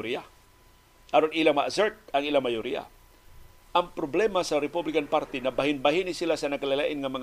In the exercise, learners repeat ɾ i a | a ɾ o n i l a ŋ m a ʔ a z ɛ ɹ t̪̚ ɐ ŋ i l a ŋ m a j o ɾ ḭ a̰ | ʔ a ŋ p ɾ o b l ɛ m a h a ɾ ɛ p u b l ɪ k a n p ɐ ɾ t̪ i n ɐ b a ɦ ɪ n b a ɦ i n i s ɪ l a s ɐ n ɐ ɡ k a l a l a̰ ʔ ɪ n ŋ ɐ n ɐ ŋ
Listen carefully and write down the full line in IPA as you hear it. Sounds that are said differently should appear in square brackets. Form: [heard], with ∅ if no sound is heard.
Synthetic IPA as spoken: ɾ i a | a ɾ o n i l a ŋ m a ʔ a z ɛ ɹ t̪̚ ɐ ŋ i l a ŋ m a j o ɾ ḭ a̰ | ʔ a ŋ p ɾ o b l ɛ m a [s] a ɾ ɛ p u b l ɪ k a n p [a] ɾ t̪ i n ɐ b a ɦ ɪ n b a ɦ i n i s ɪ l a s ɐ n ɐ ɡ k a l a l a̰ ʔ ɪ n ŋ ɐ [m] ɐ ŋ